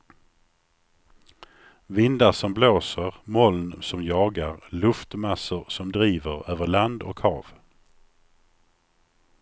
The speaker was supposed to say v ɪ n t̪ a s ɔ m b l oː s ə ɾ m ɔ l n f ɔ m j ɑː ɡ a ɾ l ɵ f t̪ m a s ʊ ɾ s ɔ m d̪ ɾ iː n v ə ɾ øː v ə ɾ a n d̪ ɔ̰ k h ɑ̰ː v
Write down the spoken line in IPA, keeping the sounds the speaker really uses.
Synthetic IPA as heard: v ɪ n d̪ a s ɔ m b l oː s ə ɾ m ɔ l n s ɔ m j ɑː ɡ a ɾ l ɵ f t̪ m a s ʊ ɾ s ɔ m d̪ ɾ iː v ə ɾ øː v ə ɭ a n d̪ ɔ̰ k h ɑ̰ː v